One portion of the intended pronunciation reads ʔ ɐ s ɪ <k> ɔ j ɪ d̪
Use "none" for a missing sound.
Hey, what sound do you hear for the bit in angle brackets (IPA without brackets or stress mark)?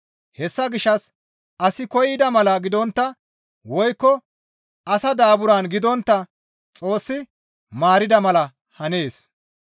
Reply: k